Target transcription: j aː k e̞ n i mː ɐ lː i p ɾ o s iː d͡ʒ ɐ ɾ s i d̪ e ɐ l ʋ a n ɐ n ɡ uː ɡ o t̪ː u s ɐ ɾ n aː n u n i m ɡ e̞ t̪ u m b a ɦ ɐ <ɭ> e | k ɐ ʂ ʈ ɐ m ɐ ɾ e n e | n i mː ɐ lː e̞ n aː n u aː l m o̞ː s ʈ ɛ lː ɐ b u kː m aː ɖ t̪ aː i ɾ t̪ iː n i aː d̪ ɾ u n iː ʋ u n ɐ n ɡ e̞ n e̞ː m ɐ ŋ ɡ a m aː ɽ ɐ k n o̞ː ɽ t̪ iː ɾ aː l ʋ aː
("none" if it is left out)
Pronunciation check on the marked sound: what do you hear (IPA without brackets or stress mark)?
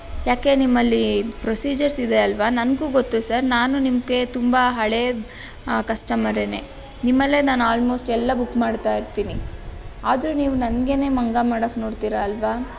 ɭ